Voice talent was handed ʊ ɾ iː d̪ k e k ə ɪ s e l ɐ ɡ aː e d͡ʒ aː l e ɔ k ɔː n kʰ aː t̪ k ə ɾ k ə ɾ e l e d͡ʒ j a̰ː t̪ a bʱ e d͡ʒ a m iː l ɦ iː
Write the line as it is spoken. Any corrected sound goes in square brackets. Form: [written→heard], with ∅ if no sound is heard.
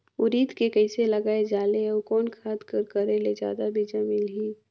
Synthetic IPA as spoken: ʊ ɾ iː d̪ k e k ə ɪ s e l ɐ ɡ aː e d͡ʒ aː l e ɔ k ɔː n kʰ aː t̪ k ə ɾ k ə ɾ e l e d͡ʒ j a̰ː [t̪→d̪] a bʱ [e→i] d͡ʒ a m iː l ɦ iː